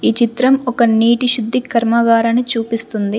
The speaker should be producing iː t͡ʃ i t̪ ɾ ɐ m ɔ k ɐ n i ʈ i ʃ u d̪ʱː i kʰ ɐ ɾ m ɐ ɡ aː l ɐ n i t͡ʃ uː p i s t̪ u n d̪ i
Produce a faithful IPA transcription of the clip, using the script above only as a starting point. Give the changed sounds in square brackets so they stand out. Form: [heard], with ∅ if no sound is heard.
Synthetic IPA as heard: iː t͡ʃ i t̪ ɾ ɐ m ɔ k ɐ n [iː] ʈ i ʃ u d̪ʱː i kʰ ɐ ɾ m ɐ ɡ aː [ɾ] ɐ n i t͡ʃ uː p i s t̪ u n d̪ i